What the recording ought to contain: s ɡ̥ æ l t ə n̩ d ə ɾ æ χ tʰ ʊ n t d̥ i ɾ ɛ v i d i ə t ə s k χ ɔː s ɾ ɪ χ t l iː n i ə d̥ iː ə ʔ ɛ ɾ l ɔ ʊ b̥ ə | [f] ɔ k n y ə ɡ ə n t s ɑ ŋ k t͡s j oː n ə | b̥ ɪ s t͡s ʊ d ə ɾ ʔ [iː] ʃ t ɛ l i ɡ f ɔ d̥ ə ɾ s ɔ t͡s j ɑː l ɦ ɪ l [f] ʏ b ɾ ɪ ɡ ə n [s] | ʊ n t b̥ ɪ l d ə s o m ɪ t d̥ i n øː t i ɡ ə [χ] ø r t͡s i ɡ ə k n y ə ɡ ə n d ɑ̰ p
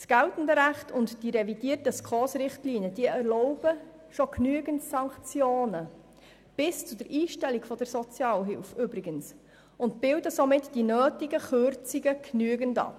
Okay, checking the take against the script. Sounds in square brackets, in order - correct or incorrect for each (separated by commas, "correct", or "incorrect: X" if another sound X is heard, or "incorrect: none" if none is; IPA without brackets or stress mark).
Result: incorrect: ʃ, correct, correct, correct, correct